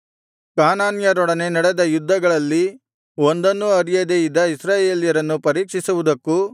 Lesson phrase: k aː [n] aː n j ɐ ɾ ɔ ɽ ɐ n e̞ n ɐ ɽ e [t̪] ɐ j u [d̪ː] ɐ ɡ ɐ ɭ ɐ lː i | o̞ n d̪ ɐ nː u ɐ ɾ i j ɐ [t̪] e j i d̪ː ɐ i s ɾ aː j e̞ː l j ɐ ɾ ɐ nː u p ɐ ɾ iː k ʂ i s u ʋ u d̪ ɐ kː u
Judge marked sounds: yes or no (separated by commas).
yes, no, yes, no